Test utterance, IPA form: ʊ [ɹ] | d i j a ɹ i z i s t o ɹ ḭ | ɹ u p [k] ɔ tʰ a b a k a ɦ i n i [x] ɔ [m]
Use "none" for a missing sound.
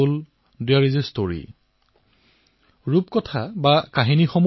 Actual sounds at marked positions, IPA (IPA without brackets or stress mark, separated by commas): l, k, x, m